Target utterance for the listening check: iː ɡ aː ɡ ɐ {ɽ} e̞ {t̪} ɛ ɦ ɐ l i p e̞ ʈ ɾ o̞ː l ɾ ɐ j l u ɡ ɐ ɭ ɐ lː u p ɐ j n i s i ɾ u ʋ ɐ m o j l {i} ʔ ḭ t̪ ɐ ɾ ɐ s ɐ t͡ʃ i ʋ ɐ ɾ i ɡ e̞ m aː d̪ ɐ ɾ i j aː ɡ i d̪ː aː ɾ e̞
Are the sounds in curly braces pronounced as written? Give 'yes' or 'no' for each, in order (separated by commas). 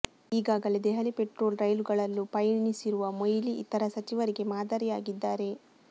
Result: no, no, yes